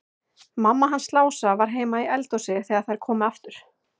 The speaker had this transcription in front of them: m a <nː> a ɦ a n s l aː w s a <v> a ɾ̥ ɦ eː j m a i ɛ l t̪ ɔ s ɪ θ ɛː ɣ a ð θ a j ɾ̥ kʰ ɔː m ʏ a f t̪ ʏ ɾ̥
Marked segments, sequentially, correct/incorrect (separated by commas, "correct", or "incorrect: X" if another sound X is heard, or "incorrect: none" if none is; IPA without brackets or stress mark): incorrect: mː, correct